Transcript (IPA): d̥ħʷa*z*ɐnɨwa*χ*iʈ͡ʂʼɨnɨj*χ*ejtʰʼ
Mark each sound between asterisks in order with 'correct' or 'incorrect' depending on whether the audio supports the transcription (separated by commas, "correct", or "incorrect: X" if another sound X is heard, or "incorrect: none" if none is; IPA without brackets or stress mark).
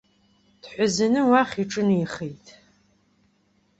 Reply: correct, correct, correct